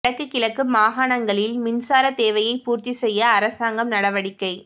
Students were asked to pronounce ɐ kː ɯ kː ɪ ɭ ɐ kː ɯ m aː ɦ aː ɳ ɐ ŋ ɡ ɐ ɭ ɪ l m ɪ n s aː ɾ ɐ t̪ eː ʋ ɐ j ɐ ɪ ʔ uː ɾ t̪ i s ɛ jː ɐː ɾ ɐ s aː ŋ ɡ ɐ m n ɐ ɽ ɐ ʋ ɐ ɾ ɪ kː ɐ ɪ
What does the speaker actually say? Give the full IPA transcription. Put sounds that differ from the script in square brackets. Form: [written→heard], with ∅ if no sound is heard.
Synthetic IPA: ɐ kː ɯ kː ɪ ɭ ɐ kː ɯ m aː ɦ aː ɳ ɐ ŋ ɡ ɐ ɭ ɪ l m ɪ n s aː ɾ ɐ t̪ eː ʋ ɐ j ɐ ɪ [ʔ→p] uː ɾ t̪ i s ɛ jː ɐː ɾ ɐ s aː ŋ ɡ ɐ m n ɐ ɽ ɐ ʋ ɐ [ɾ→ɽ] ɪ kː ɐ ɪ